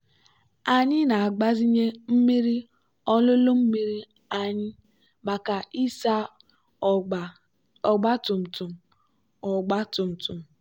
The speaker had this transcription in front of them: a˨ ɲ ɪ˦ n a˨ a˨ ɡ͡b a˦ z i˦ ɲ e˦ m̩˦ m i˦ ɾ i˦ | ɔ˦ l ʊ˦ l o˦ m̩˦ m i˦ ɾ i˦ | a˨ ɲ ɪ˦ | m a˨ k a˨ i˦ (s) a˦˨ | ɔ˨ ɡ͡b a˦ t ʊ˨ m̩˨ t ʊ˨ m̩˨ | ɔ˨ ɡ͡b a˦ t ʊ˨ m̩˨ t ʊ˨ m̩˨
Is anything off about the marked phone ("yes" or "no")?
no